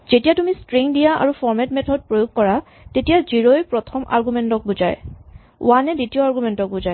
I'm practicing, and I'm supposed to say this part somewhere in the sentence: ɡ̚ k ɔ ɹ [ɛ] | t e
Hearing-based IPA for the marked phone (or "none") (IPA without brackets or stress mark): a